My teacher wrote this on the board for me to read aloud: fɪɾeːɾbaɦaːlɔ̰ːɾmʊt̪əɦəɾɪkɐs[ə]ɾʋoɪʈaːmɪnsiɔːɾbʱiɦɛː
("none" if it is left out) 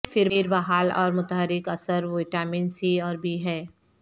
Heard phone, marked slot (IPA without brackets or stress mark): ə